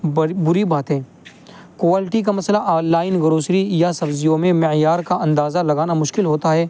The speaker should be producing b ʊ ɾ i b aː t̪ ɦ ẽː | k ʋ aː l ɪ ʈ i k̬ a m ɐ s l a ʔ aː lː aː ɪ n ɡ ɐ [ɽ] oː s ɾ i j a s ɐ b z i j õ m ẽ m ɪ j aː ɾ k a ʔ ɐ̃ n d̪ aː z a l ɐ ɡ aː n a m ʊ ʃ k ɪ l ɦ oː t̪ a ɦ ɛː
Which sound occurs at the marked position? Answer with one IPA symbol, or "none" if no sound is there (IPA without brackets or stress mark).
ɾ